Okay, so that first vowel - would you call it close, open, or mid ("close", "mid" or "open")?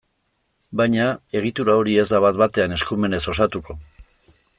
open